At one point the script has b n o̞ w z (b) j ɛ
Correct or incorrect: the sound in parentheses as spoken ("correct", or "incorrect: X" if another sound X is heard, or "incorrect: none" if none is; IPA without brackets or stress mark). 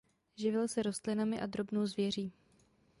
incorrect: v